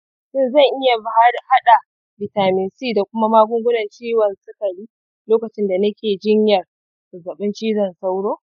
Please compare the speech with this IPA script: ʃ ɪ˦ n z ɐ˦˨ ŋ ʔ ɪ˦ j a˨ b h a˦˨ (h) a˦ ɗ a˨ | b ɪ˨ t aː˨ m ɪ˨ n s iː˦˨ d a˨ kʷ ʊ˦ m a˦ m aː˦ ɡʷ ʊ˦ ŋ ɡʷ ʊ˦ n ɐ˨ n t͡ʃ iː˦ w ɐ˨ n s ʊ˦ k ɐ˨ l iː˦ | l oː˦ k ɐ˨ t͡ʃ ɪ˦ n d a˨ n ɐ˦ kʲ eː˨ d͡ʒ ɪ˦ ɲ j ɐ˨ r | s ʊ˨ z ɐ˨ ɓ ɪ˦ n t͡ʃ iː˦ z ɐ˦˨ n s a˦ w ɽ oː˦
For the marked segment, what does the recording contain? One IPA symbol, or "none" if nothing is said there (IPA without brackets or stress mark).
h